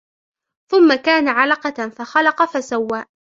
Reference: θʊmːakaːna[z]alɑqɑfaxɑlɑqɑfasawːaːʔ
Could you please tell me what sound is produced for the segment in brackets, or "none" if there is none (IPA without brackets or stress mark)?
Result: ʕ